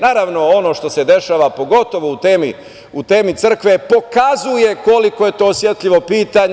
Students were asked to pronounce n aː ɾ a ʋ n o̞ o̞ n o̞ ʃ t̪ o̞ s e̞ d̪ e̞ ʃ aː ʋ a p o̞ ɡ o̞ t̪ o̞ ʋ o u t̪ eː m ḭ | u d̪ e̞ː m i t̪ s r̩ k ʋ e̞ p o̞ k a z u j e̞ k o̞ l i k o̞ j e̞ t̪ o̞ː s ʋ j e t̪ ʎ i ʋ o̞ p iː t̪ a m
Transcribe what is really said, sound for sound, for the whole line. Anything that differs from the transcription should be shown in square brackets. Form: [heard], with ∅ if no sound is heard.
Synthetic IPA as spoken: n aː ɾ a ʋ n o̞ o̞ n o̞ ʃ t̪ o̞ s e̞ d̪ e̞ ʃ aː ʋ a p o̞ ɡ o̞ t̪ o̞ ʋ o u t̪ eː m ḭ | u [t̪] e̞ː m i t̪ s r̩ k ʋ e̞ p o̞ k a z u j e̞ k o̞ l i k o̞ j e̞ t̪ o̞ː s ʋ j e t̪ ʎ i ʋ o̞ p iː t̪ a [ɲ]